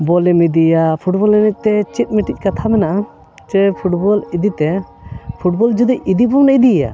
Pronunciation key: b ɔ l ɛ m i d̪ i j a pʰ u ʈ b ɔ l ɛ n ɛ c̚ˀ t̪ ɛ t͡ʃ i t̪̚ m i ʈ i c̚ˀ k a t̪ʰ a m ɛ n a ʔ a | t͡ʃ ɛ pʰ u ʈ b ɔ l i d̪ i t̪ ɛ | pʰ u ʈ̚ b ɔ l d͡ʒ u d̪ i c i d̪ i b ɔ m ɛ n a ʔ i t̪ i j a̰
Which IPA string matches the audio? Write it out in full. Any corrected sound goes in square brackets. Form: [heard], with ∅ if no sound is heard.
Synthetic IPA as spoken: b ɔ l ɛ m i d̪ i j a pʰ u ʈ b ɔ l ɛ n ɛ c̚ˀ t̪ ɛ t͡ʃ i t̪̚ m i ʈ i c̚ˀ k a t̪ʰ a m ɛ n a ʔ a | t͡ʃ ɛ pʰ u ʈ b ɔ l i d̪ i t̪ ɛ | pʰ u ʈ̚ b ɔ l d͡ʒ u d̪ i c i d̪ i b ɔ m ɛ n a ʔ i [d̪] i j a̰